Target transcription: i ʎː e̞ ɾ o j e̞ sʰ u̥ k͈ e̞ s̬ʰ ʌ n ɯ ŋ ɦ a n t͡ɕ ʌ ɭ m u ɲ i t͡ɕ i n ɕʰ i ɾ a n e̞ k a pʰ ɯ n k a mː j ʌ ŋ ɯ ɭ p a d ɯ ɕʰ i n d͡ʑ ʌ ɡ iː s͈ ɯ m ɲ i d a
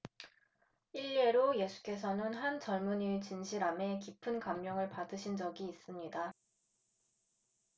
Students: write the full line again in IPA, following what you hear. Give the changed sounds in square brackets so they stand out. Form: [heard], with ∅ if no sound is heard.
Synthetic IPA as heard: i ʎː e̞ ɾ o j e̞ sʰ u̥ k͈ e̞ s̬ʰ ʌ n ɯ [n] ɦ a n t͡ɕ ʌ ɭ m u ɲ i t͡ɕ i n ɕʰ i ɾ a [m] e̞ k [i] pʰ ɯ n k a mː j ʌ ŋ ɯ ɭ p a d ɯ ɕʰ i n d͡ʑ ʌ ɡ iː s͈ ɯ m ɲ i d a